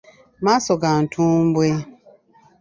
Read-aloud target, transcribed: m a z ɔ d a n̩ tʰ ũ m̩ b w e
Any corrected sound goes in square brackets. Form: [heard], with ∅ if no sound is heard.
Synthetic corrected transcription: m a [s] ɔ [ɡ] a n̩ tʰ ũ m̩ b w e